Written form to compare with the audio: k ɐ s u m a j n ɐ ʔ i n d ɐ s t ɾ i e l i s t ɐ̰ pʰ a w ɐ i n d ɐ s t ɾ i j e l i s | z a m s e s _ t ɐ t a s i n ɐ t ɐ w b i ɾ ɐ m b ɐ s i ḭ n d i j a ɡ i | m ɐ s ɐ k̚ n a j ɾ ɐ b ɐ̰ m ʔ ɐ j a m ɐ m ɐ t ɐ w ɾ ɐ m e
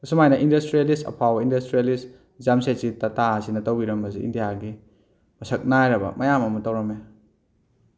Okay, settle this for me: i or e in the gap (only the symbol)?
i